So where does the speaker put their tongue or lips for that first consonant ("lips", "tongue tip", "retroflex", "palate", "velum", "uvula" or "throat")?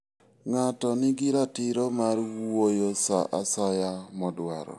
velum